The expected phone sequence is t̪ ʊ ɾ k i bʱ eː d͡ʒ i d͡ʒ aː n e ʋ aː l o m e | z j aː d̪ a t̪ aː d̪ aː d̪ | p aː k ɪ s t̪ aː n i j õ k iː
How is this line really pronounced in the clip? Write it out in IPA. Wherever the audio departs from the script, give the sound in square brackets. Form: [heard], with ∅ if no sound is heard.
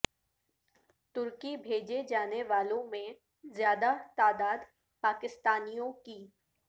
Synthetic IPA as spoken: t̪ ʊ ɾ k i bʱ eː d͡ʒ [e] d͡ʒ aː n e ʋ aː l [õ] m [ẽ] | z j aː d̪ a t̪ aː d̪ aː d̪ | p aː k ɪ s t̪ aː n i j õ k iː